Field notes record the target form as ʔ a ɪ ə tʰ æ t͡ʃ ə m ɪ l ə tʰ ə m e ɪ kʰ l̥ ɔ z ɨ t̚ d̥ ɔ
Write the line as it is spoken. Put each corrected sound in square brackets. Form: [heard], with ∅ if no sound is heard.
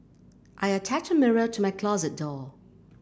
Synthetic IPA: ʔ a ɪ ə tʰ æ t͡ʃ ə m ɪ [ɹ] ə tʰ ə m [a] ɪ kʰ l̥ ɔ z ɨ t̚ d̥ ɔ